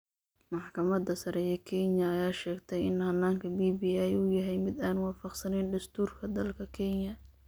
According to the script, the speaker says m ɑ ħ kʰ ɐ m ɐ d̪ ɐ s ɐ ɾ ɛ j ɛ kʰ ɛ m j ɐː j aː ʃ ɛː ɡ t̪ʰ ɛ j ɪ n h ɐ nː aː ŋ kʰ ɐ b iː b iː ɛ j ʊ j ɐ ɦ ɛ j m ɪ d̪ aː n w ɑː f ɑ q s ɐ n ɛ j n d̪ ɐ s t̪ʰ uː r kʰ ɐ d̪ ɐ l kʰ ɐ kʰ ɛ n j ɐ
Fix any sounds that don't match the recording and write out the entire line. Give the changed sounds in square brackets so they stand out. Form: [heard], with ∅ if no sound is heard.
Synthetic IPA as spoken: m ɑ ħ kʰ ɐ m ɐ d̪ ɐ s ɐ ɾ ɛ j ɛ kʰ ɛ [n] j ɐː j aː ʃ ɛː ɡ t̪ʰ ɛ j ɪ n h ɐ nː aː ŋ kʰ ɐ b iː b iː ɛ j ʊ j ɐ ɦ ɛ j m ɪ d̪ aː n w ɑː f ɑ q s ɐ n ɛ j n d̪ ɐ s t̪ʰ uː r kʰ ɐ d̪ ɐ l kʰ ɐ kʰ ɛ n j ɐ